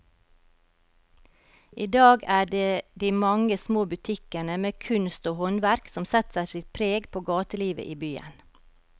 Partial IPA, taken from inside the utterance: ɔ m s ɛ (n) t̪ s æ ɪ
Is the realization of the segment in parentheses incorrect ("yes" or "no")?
yes